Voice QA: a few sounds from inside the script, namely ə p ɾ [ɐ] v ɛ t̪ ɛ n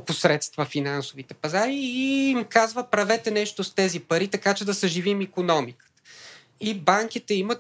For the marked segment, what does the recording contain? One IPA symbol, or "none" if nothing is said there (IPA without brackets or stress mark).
ɐ